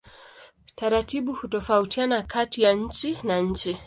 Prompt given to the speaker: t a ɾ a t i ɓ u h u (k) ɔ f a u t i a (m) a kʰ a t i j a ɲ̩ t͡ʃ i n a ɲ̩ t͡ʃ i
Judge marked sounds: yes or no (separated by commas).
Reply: no, no